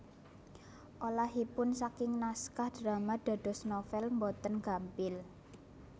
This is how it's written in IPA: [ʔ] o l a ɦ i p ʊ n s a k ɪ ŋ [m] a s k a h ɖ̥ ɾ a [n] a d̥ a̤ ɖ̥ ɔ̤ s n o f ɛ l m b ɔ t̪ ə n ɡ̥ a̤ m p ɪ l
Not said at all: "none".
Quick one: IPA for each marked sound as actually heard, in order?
ʔ, n, m

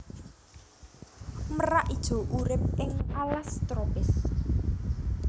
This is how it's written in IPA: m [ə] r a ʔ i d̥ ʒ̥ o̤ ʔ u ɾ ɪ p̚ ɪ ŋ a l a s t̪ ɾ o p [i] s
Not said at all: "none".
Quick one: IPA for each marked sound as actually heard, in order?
ə, ɪ

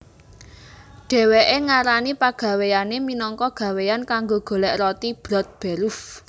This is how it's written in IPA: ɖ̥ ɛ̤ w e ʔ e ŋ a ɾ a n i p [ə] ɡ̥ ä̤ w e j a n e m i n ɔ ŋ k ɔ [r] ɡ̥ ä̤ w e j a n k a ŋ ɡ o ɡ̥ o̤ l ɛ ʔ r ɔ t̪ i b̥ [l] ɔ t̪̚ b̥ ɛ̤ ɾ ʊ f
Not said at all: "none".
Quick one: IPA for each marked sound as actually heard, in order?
a, none, ɾ

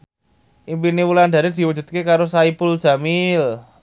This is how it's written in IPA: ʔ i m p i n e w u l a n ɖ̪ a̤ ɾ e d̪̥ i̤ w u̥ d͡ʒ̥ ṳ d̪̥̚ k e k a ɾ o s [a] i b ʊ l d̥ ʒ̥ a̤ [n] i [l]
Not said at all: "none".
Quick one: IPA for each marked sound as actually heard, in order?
a, m, l

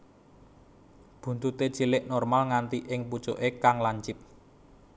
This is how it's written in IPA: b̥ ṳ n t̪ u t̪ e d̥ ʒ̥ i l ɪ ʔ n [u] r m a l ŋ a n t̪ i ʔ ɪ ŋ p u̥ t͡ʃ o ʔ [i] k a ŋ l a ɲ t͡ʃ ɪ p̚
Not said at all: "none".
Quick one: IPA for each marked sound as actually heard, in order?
ɔ, e

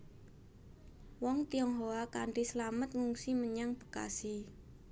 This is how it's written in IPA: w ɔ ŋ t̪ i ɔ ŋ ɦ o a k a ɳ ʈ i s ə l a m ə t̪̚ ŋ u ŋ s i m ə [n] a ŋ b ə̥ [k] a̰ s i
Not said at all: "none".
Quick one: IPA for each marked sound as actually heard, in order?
ɲ, k

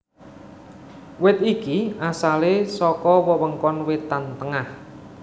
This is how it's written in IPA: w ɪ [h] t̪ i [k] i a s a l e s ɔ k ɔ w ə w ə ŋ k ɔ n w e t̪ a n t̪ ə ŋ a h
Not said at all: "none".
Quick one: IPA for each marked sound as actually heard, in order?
none, k

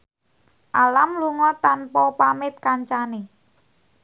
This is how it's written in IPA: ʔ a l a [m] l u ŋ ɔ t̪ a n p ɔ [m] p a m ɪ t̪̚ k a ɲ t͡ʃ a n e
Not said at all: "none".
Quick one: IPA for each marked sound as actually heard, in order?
m, none

